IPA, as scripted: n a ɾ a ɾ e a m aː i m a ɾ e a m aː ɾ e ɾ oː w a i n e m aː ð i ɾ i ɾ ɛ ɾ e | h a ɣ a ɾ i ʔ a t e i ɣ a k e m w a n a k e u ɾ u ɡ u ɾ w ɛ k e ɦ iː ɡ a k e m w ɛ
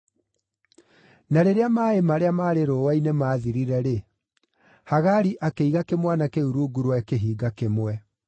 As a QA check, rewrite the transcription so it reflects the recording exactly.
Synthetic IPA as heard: n a ɾ e ɾ e a m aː e m a ɾ e a m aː ɾ e ɾ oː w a i n e m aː ð i ɾ i ɾ ɛ ɾ e | h a ɣ a ɾ i ʔ a k e i ɣ a k e m w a n a k e u ɾ u ɡ u ɾ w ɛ k e ɦ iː ɡ a k e m w ɛ